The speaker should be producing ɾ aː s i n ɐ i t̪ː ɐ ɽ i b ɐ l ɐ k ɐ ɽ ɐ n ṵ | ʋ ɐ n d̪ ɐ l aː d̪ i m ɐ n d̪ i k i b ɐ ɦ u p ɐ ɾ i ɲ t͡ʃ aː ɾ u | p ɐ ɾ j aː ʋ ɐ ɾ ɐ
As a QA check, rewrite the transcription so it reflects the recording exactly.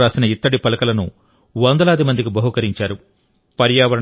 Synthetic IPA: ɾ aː s i n ɐ i t̪ː ɐ ɽ i p ɐ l ɐ k ɐ l ɐ n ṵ | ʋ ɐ n d̪ ɐ l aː d̪ i m ɐ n d̪ i k i b ɐ ɦ u k ɐ ɾ i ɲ t͡ʃ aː ɾ u | p ɐ ɾ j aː ʋ ɐ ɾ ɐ